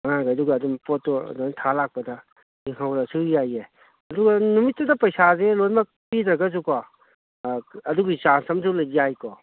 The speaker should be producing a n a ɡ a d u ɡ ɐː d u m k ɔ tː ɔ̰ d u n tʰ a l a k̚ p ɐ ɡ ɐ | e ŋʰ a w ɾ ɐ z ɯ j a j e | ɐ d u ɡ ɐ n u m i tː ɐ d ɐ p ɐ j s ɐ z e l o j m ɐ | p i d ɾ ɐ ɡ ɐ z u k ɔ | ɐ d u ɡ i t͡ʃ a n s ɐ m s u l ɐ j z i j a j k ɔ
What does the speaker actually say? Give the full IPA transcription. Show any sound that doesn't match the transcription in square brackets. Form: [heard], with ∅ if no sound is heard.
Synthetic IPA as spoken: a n a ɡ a d u ɡ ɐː d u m [p] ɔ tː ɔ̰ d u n tʰ a l a k̚ p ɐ [d] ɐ | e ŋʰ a w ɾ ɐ [s] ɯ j a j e | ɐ d u ɡ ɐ n u m i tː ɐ d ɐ p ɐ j s [a] z e l o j m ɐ | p i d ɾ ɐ ɡ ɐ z u k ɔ | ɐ d u ɡ i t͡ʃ a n s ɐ m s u l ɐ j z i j a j k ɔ